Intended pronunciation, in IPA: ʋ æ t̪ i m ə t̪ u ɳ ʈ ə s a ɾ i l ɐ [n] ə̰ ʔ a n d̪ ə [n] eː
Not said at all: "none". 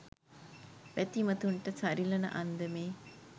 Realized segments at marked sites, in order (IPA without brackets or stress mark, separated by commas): n, m